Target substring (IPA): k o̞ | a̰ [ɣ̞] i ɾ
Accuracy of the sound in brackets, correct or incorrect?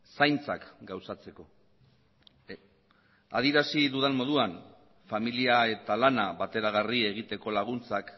incorrect